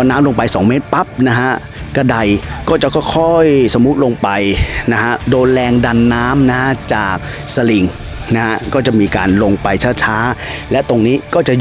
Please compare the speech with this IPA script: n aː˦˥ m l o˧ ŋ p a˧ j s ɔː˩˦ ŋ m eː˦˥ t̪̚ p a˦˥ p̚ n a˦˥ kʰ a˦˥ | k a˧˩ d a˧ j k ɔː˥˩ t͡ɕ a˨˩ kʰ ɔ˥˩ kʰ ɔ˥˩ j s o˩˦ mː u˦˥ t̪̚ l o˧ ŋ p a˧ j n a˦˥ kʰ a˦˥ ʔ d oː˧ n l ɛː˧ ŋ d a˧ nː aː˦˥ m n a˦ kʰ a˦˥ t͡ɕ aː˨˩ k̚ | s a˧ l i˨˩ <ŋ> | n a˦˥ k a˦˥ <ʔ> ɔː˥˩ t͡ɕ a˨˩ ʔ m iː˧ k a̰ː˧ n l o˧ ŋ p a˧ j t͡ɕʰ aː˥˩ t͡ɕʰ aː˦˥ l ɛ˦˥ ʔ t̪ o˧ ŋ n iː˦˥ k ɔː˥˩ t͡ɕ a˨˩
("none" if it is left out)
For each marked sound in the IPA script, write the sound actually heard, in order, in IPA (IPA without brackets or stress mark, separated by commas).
ŋ, k